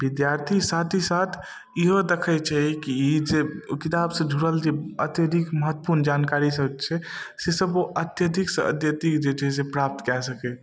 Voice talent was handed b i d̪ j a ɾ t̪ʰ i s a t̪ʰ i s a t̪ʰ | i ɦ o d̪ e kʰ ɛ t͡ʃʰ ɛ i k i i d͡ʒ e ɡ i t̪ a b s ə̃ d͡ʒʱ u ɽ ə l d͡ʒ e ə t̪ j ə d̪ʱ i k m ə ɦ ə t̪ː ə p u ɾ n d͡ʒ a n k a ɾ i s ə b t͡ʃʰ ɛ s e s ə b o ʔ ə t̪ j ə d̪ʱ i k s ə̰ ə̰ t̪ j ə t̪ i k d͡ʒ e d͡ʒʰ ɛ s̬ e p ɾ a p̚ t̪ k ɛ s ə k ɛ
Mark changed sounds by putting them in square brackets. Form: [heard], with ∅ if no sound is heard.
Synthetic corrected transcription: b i d̪ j a ɾ t̪ʰ i s a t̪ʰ i s a t̪ʰ | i ɦ o d̪ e kʰ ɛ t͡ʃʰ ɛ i k i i d͡ʒ e [k] i t̪ a b s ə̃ d͡ʒʱ u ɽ ə l d͡ʒ e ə t̪ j ə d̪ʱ i k m ə ɦ ə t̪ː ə p u ɾ n d͡ʒ a n k a ɾ i s ə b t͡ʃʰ ɛ s e s ə b o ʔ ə t̪ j ə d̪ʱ i k s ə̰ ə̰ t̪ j ə t̪ i k d͡ʒ e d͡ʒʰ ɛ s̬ e p ɾ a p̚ t̪ k ɛ s ə k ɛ